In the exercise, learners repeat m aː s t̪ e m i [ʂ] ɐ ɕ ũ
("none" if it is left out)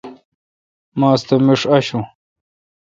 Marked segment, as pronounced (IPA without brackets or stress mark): ʂ